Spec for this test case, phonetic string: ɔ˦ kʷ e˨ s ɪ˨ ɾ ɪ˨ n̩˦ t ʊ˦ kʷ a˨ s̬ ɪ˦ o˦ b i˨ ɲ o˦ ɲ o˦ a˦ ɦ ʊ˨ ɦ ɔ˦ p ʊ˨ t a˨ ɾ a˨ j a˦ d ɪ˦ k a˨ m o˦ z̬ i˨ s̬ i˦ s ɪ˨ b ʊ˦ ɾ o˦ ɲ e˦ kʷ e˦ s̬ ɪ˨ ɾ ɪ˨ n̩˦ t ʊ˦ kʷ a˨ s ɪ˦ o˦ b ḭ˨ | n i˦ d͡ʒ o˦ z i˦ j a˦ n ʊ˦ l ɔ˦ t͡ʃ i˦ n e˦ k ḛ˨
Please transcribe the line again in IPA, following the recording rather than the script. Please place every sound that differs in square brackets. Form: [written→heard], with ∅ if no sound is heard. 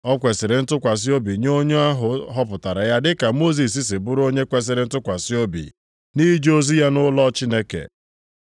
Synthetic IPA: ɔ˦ kʷ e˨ s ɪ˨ ɾ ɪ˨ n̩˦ t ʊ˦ kʷ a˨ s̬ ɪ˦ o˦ b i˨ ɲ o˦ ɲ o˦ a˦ ɦ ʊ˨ ɦ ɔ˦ p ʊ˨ t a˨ ɾ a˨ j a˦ d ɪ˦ k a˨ m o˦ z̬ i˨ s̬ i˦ s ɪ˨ b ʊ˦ ɾ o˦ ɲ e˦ kʷ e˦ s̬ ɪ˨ ɾ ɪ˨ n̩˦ t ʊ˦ kʷ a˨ s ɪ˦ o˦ b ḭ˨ | n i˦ d͡ʒ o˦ z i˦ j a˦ n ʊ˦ l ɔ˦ t͡ʃ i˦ n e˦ k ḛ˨